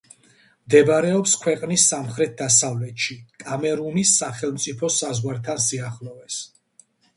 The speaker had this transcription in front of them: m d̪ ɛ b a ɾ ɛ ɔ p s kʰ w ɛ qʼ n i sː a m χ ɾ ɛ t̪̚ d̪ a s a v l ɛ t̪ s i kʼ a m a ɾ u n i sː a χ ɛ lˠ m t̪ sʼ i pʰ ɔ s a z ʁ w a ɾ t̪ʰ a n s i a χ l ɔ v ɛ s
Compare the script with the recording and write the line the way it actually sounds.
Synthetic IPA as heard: m d̪ ɛ b a ɾ ɛ ɔ p s kʰ w ɛ qʼ n i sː a m χ ɾ ɛ t̪̚ d̪ a s a v l ɛ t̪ ʃ i kʼ a m ɛ ɾ u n i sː a χ ɛ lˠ m t̪ sʼ i pʰ ɔ s a z ʁ w a ɾ t̪ʰ a n s i a χ l ɔ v ɛ s